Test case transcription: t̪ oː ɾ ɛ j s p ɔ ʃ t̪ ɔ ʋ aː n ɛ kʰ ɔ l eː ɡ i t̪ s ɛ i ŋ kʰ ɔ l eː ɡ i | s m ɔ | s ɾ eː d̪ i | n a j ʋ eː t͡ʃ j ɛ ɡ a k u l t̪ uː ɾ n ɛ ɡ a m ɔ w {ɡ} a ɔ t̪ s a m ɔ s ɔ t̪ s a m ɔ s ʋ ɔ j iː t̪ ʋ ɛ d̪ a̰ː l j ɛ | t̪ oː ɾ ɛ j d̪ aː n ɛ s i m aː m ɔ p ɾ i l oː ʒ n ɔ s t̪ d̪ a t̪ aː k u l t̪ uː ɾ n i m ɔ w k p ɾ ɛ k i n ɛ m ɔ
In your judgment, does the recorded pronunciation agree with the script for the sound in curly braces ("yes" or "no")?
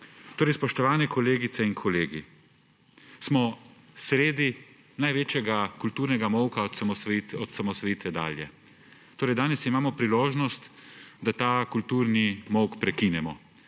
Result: no